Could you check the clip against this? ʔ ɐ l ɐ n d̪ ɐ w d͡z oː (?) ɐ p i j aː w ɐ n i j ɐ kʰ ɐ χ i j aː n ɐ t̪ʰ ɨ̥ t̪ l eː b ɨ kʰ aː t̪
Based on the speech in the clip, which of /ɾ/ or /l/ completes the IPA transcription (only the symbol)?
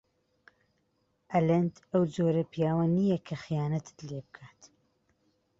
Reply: ɾ